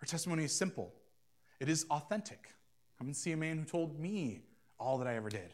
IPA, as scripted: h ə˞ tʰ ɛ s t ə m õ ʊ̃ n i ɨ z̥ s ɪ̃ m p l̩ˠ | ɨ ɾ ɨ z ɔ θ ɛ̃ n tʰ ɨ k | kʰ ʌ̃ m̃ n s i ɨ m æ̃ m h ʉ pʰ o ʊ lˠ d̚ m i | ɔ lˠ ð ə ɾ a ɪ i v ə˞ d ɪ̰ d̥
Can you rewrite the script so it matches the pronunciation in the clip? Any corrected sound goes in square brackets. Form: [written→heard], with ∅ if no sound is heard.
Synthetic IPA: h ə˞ tʰ ɛ s t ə m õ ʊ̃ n i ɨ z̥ s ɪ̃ m p l̩ˠ | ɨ ɾ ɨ z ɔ θ ɛ̃ n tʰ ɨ k | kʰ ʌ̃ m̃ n s i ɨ m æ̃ [m→n] h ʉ [pʰ→tʰ] o ʊ lˠ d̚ m i | ɔ lˠ ð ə ɾ a ɪ [i→ɛ] v ə˞ d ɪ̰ d̥